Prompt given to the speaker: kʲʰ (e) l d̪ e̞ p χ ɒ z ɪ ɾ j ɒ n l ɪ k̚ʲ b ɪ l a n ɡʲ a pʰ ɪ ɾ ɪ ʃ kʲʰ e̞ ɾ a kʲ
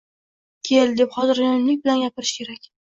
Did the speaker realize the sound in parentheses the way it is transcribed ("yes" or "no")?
yes